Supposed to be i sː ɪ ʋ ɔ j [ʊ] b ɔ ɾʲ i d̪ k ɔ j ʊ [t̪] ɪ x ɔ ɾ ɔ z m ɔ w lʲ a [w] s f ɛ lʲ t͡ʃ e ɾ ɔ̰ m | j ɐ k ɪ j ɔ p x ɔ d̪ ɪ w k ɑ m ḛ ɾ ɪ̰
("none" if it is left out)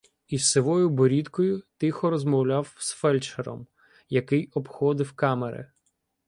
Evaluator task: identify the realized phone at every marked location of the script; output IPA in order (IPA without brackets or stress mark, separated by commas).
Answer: ʊ, t̪, w